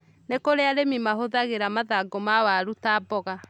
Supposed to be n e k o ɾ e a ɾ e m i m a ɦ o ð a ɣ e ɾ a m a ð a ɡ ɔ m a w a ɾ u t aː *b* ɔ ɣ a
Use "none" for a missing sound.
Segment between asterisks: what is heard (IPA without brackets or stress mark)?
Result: b